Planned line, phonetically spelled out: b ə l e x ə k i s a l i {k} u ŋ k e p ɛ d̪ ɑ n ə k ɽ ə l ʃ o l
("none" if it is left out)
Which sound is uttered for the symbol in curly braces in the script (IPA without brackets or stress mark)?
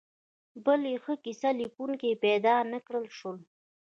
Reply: k